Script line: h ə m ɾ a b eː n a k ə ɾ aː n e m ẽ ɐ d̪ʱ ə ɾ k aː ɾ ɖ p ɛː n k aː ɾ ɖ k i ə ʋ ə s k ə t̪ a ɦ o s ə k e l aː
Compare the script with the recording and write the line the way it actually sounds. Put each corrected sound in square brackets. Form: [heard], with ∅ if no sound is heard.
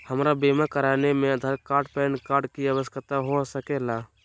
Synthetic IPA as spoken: h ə m ɾ a b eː [m] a k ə ɾ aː n e m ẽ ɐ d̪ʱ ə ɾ k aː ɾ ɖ p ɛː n k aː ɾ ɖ k i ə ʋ ə s k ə t̪ a ɦ o s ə k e l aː